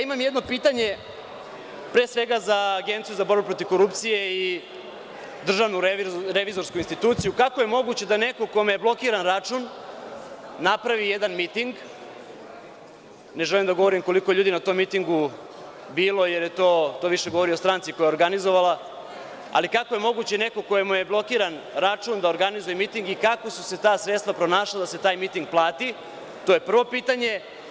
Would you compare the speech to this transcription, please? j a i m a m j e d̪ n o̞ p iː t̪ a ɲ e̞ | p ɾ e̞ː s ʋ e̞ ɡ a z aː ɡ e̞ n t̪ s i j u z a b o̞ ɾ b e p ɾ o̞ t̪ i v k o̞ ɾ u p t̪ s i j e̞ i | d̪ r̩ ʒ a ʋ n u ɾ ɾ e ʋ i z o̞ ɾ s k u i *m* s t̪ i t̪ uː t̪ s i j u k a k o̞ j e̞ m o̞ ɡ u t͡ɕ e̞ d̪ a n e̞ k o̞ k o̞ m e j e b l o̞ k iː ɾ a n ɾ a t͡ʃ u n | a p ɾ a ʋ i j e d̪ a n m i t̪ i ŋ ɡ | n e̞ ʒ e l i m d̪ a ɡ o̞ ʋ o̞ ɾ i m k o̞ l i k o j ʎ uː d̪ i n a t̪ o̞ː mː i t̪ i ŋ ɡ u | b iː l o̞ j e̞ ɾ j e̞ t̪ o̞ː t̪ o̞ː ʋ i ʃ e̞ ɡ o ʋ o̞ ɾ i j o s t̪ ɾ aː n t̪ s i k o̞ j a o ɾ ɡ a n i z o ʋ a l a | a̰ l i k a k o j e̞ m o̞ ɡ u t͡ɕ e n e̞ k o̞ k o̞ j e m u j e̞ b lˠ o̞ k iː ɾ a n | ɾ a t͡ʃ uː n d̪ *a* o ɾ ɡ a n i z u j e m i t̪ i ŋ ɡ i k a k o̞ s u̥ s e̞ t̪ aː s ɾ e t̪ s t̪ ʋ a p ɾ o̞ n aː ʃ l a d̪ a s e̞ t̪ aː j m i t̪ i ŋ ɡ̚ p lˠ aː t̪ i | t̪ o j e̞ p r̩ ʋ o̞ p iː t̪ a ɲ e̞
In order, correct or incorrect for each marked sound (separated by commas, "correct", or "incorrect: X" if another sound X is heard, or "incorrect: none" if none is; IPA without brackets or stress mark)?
incorrect: n, correct